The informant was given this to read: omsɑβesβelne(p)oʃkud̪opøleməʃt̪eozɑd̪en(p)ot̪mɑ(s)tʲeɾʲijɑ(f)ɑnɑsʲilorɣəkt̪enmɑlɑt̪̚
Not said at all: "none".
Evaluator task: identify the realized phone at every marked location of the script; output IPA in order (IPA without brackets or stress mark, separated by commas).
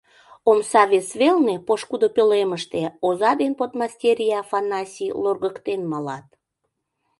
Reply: p, p, s, f